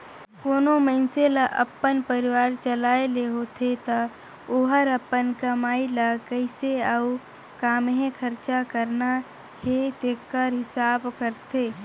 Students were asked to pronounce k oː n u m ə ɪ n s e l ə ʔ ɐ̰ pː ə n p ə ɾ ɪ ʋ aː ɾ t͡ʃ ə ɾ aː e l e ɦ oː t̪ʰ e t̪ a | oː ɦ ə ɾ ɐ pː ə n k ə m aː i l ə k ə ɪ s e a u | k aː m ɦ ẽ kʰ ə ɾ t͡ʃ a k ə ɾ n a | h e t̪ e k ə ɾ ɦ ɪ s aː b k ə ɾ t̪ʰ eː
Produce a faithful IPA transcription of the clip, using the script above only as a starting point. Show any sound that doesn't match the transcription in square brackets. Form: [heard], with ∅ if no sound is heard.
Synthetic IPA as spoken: k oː n [o] m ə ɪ n s e l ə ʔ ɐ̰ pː ə n p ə ɾ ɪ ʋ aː ɾ t͡ʃ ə [l] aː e l e ɦ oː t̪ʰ e t̪ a | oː ɦ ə ɾ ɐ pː ə n k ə m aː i l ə k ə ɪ s e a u | k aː m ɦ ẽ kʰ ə ɾ t͡ʃ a k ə ɾ n a | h e t̪ e k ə ɾ ɦ ɪ s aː b k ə ɾ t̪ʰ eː